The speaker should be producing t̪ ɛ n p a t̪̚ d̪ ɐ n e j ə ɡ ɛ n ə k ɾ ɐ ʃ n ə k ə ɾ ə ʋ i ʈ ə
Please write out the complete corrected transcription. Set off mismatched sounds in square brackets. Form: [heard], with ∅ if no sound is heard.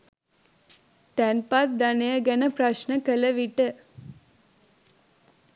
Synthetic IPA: t̪ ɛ n p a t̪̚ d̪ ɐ n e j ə ɡ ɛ n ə [p] ɾ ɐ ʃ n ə k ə [l] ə ʋ i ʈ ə